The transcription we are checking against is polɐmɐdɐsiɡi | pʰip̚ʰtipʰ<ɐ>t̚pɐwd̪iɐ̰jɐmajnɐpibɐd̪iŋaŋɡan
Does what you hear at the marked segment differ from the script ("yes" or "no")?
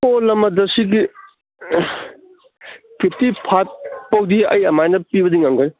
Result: yes